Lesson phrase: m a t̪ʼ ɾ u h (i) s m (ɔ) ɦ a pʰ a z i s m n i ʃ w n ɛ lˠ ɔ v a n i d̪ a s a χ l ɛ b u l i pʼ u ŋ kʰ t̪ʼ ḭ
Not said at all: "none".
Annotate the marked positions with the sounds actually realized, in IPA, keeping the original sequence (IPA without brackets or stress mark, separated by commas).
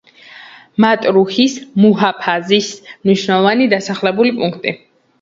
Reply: i, u